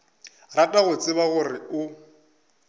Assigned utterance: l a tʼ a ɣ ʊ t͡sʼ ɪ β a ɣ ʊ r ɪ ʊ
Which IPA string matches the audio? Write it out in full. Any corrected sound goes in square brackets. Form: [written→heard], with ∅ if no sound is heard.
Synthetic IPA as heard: [l→r] a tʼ a ɣ ʊ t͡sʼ ɪ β a ɣ ʊ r ɪ ʊ